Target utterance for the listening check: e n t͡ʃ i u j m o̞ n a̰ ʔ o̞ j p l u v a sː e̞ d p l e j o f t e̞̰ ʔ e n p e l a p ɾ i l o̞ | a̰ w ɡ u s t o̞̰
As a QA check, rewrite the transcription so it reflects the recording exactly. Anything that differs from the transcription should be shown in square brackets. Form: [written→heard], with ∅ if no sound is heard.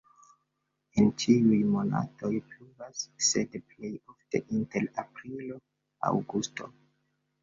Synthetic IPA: e n t͡ʃ i u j m o̞ n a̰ [ʔ→t] o̞ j p l u v a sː e̞ d p l e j o f t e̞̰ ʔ [e→i] n [p→t] e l a p ɾ i l o̞ | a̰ w ɡ u s t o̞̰